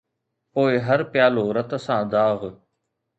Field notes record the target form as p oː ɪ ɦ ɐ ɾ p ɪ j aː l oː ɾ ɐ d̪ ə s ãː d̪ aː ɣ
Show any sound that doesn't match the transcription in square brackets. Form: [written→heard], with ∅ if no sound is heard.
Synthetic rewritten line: p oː ɪ ɦ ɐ ɾ p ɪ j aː l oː ɾ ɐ [d̪→t̪] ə s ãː d̪ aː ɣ